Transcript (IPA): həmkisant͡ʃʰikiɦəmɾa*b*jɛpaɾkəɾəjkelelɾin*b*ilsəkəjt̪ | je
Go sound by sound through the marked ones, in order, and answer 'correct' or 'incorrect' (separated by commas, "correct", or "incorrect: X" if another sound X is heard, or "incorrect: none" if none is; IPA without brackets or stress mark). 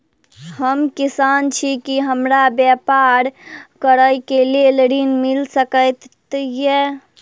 correct, incorrect: m